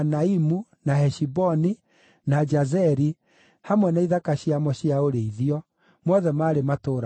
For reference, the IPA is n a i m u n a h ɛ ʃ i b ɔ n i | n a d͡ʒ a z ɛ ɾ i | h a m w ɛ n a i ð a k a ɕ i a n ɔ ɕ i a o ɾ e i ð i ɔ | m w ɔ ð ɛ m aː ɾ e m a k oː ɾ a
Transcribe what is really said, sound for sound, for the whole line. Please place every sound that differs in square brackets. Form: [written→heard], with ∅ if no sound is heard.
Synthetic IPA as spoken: n a i m u n a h ɛ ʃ i b ɔ n i | n a d͡ʒ a z ɛ ɾ i | h a m w ɛ n a i ð a k a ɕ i a [n→m] ɔ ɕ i a o ɾ e i ð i ɔ | m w ɔ ð ɛ m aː ɾ e m a [k→t] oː ɾ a